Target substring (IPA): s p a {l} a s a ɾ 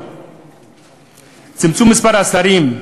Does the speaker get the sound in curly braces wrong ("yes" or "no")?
yes